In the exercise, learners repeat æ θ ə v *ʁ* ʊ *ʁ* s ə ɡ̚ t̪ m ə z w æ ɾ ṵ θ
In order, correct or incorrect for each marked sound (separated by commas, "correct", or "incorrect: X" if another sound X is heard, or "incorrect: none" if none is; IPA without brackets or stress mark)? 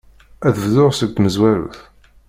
incorrect: ð, correct